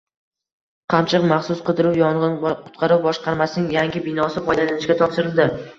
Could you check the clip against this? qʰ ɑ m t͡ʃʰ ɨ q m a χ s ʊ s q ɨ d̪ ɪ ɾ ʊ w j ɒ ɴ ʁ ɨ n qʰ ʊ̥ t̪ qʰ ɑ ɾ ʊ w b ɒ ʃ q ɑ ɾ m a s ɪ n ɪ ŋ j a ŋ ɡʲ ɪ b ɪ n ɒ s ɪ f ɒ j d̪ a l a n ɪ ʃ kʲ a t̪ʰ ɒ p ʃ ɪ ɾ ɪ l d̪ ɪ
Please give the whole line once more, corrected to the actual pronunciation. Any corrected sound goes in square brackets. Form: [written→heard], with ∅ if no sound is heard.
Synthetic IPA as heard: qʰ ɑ m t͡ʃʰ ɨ q m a χ s ʊ s q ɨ d̪ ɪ ɾ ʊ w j ɒ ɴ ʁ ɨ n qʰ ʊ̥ t̪ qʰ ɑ ɾ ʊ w b ɒ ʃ q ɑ ɾ m a s ɪ n ɪ ŋ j a ŋ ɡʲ ɪ b ɪ n ɒ s ɪ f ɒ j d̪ a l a n ɪ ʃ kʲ a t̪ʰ ɒ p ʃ ɪ ɾ ɪ l d̪ ɪ